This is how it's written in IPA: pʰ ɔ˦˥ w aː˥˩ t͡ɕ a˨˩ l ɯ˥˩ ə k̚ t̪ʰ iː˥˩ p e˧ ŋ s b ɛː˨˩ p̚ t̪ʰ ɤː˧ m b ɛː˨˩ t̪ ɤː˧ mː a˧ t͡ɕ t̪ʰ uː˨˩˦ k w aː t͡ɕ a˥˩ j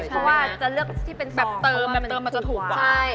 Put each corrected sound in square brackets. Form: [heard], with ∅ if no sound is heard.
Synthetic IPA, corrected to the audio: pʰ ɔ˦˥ w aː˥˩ t͡ɕ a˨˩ l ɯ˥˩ ə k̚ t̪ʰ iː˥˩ p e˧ [n] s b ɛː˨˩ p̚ [t̪] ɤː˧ m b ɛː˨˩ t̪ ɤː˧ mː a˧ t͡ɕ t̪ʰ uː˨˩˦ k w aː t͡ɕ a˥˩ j